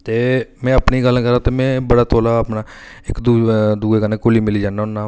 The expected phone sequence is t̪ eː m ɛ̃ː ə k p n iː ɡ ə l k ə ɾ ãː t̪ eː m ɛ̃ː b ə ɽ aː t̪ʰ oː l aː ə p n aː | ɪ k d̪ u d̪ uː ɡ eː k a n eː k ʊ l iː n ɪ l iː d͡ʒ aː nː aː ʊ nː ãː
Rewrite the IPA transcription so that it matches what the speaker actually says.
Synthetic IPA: t̪ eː m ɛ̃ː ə p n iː ɡ ə l k ə ɾ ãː t̪ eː m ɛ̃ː b ə ɽ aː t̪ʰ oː l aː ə p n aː | ɪ k d̪ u d̪ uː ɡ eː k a n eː k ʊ l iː m ɪ l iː d͡ʒ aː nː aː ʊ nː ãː